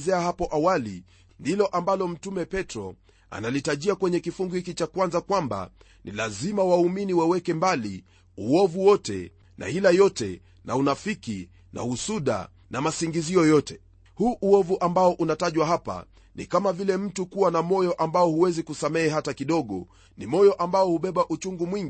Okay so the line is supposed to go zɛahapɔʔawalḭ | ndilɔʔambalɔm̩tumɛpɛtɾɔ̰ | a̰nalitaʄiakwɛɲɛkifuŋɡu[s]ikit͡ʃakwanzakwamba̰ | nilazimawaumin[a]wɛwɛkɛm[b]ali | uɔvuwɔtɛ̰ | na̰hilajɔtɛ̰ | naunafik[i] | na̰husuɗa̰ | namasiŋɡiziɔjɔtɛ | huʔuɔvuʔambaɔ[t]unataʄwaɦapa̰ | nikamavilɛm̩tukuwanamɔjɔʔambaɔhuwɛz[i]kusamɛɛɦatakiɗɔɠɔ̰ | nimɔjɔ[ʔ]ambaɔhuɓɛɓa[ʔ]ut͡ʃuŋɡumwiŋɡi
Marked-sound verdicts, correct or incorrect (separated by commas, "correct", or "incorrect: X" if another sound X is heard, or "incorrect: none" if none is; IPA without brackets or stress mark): incorrect: h, incorrect: i, correct, correct, incorrect: ʔ, correct, correct, correct